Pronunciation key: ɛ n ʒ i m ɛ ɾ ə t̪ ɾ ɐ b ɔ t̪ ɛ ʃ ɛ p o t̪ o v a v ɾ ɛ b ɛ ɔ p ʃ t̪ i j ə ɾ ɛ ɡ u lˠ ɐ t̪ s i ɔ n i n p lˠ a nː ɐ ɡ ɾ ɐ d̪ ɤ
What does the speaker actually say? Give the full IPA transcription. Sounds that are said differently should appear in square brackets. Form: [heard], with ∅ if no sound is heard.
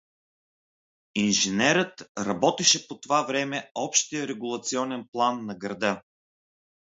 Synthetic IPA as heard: [i] n ʒ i [n] ɛ ɾ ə t̪ ɾ ɐ b ɔ t̪ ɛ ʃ ɛ p o t̪ o v a v ɾ ɛ [m] ɛ ɔ p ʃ t̪ i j ə ɾ ɛ ɡ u lˠ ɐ t̪ s i ɔ n [ɛ] n p lˠ a nː ɐ ɡ ɾ ɐ d̪ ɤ

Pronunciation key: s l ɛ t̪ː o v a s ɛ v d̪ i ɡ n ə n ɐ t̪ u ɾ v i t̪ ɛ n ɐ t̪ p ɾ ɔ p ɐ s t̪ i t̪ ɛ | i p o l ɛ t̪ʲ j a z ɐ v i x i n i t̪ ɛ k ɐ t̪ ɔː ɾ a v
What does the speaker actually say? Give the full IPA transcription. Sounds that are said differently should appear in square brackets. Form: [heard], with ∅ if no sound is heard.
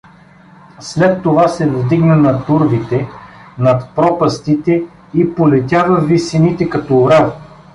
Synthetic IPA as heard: s l ɛ t̪ː o v a s ɛ v d̪ i ɡ n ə n ɐ t̪ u ɾ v i t̪ ɛ n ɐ t̪ p ɾ ɔ p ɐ s t̪ i t̪ ɛ | i p o l ɛ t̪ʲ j a [v] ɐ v i [s] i n i t̪ ɛ k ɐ t̪ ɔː ɾ a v

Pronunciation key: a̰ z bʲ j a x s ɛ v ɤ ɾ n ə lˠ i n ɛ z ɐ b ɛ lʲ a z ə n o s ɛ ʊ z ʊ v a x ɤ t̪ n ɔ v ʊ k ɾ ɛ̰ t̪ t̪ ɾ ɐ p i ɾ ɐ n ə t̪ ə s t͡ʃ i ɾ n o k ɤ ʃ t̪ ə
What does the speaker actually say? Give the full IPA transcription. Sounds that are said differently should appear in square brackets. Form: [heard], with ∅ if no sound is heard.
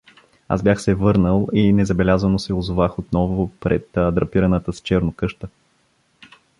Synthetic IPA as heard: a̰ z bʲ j a x s ɛ v ɤ ɾ n ə lˠ i n ɛ z ɐ b ɛ lʲ a z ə n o s ɛ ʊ z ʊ v a x [o] t̪ n ɔ v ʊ [p] ɾ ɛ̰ t̪ [d̪] ɾ ɐ p i ɾ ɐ n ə t̪ ə s t͡ʃ [ɛ] ɾ n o k ɤ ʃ t̪ ə

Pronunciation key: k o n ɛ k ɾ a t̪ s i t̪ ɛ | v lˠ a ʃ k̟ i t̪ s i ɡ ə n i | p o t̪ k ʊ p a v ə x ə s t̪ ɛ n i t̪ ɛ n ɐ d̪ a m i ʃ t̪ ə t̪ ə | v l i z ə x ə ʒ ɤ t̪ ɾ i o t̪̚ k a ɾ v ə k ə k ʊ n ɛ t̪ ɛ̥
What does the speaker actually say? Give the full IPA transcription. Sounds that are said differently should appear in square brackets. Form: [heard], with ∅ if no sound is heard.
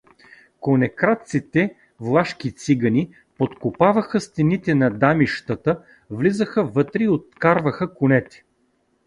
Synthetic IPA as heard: k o n ɛ k ɾ a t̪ s i t̪ ɛ | v lˠ a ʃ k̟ i t̪ s i ɡ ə n i | p o t̪ k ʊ p a v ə x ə s t̪ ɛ n i t̪ ɛ n ɐ d̪ a m i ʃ t̪ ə t̪ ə | v l i z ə x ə [v] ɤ t̪ ɾ i o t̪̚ k a ɾ v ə [x] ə k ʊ n ɛ t̪ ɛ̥

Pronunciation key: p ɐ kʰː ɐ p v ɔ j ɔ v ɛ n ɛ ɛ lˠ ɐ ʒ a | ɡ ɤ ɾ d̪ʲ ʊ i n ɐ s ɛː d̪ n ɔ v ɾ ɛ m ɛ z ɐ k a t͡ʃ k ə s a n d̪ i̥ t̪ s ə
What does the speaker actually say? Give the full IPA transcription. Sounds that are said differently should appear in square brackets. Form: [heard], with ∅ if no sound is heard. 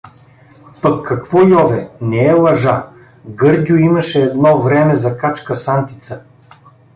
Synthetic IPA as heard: p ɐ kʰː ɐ [k] v ɔ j ɔ v ɛ n ɛ ɛ lˠ ɐ ʒ a | ɡ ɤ ɾ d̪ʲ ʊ i [m] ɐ [ʃ] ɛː d̪ n ɔ v ɾ ɛ m ɛ z ɐ k a t͡ʃ k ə s a n [t̪] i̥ t̪ s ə

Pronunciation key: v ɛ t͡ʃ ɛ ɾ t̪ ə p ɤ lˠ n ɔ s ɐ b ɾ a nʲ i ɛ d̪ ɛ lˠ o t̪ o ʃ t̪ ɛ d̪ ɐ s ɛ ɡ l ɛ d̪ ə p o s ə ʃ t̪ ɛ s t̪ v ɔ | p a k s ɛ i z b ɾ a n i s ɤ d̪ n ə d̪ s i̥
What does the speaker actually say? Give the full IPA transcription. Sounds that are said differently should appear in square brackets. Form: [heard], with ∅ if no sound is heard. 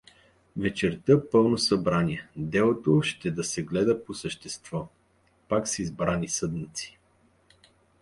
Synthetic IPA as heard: v ɛ t͡ʃ ɛ ɾ t̪ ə p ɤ lˠ n [o] s ɐ b ɾ a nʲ i ɛ d̪ ɛ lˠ o t̪ o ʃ t̪ ɛ d̪ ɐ s ɛ ɡ l ɛ d̪ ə p o s ə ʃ t̪ ɛ s t̪ v ɔ | p a k s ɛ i z b ɾ a n i s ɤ d̪ n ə [t̪] s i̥

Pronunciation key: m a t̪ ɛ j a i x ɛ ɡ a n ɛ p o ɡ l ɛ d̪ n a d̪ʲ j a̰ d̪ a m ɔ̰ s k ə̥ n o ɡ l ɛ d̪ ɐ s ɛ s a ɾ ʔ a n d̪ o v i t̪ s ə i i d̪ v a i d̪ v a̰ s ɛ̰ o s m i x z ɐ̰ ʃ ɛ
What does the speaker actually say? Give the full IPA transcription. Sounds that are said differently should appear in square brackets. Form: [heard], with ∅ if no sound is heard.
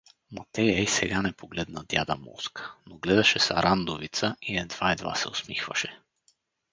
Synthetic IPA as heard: m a t̪ ɛ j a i [s] ɛ ɡ a n ɛ p o ɡ l ɛ d̪ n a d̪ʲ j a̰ d̪ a m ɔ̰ s k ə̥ n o ɡ l ɛ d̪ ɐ [ʃ] ɛ s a ɾ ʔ a n d̪ o v i t̪ s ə i [ɛ] d̪ v a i d̪ v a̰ s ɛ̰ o s m i x [v] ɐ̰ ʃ ɛ

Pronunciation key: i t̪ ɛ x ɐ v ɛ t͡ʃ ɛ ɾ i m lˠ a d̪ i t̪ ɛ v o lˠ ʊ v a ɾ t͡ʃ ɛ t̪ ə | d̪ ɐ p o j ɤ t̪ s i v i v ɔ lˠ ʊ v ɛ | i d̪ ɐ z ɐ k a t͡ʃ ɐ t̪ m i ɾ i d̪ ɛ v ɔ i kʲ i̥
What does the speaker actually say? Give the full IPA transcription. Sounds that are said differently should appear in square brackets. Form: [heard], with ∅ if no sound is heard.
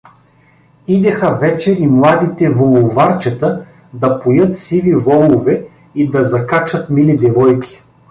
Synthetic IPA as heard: i [d̪] ɛ x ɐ v ɛ t͡ʃ ɛ ɾ i m lˠ a d̪ i t̪ ɛ v o lˠ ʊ v a ɾ t͡ʃ ɛ t̪ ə | d̪ ɐ p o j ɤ t̪ s i v i v ɔ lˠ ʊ v ɛ | i d̪ ɐ z ɐ k a t͡ʃ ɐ t̪ m i [l] i d̪ ɛ v ɔ [j] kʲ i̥

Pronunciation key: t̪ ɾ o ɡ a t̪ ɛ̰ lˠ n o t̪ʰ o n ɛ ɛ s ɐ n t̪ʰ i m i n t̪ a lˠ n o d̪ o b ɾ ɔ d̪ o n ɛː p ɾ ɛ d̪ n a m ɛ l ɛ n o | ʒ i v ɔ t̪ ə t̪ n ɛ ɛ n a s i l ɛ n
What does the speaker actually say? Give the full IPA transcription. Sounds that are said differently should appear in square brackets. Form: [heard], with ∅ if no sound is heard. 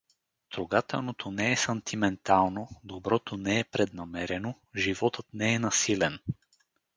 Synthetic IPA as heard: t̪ ɾ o ɡ a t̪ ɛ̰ lˠ n o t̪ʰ o n ɛ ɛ s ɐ n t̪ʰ i m [ɛ] n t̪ a lˠ n o d̪ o b ɾ ɔ [t̪] o n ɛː p ɾ ɛ d̪ n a m ɛ [ɾ] ɛ n o | ʒ i v ɔ t̪ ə t̪ n ɛ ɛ n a s i l ɛ n

